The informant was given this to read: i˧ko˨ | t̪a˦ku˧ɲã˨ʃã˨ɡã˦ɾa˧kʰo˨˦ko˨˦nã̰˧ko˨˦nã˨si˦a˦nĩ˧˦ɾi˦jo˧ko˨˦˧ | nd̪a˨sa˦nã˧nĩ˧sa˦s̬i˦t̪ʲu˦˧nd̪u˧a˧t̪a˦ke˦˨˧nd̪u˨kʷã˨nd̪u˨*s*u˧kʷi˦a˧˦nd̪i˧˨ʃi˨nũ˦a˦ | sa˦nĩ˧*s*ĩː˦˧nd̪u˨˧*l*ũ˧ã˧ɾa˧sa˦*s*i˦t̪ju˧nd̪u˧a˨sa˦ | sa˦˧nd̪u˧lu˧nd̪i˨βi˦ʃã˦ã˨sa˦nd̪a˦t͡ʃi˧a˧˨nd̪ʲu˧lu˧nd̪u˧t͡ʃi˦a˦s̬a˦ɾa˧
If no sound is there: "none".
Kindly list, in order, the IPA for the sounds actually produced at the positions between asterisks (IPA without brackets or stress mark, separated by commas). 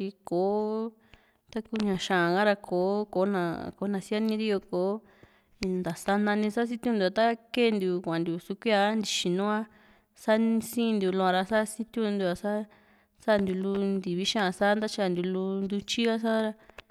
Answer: s, s, l, s